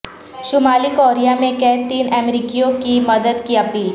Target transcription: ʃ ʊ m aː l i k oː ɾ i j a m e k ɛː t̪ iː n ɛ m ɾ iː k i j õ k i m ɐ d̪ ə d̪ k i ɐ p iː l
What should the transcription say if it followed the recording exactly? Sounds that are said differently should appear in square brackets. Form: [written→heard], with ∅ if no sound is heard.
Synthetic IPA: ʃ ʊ m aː l i k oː ɾ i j a m [e→ẽ] k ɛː t̪ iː n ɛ m ɾ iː k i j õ k i m ɐ d̪ ə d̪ k i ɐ p iː l